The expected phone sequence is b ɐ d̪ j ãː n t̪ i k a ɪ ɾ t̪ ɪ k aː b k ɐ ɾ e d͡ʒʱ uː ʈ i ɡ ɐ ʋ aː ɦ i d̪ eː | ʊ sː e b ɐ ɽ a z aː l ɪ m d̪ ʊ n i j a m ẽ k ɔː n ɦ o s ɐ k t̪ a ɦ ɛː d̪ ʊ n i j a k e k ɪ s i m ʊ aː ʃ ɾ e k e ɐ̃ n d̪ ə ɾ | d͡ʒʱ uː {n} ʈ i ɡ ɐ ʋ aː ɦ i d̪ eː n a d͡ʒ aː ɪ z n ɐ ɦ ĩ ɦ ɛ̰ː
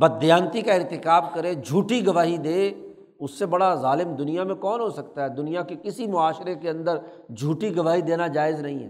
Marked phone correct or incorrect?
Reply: incorrect